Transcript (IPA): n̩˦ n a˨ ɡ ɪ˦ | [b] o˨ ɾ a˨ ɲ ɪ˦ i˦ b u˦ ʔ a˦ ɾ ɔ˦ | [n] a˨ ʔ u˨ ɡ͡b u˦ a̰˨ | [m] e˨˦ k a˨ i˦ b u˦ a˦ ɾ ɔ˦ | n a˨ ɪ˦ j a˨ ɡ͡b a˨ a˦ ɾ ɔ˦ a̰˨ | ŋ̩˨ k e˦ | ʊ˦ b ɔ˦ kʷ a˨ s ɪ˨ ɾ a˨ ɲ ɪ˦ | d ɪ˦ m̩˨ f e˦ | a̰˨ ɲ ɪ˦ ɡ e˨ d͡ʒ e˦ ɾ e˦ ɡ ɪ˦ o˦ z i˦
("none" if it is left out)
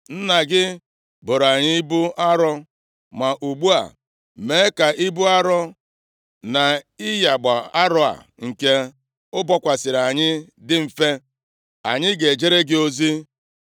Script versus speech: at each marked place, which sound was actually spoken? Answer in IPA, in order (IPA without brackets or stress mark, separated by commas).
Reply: b, m, m